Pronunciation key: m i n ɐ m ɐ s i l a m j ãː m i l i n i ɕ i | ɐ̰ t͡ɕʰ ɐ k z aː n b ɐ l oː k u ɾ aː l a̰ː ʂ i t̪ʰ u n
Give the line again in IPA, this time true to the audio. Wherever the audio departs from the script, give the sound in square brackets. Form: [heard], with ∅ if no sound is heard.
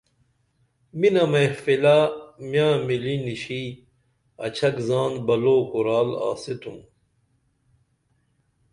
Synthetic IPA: m i n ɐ m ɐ [f] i l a m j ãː m i l i n i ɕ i | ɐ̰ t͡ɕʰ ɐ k z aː n b ɐ l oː k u ɾ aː l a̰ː [s] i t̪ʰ u [m]